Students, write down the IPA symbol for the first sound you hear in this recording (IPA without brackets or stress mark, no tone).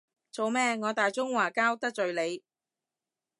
t͡s